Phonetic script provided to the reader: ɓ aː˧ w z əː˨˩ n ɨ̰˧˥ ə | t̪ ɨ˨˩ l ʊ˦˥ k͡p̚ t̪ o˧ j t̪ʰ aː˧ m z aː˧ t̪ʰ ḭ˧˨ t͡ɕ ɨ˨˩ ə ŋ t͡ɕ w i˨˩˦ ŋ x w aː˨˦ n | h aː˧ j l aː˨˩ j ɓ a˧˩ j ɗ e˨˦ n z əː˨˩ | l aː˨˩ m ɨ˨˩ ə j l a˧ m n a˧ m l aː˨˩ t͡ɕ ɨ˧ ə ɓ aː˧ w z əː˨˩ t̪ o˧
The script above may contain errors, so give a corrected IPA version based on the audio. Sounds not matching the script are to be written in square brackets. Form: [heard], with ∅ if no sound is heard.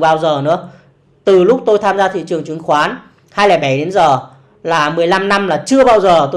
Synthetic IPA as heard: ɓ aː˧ w z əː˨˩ n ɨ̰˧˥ ə | t̪ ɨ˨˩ l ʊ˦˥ k͡p̚ t̪ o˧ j t̪ʰ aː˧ m z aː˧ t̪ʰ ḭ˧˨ t͡ɕ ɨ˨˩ ə ŋ t͡ɕ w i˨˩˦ ŋ x w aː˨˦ n | h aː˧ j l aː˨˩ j ɓ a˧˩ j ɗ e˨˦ n z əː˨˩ | l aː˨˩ m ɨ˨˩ ə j l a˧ m n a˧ m l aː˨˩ t͡ɕ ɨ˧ ə ɓ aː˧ w z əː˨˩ t̪ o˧